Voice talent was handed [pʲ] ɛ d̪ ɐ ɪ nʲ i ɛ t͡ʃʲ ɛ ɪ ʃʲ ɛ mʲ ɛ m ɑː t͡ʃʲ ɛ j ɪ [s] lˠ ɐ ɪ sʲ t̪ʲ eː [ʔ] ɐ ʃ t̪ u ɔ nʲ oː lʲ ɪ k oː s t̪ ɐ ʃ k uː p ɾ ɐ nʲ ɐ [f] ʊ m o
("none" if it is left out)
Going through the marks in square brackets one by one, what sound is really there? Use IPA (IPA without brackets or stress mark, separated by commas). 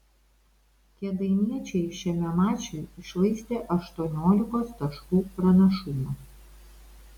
kʲ, ʃ, ʔ, ʃ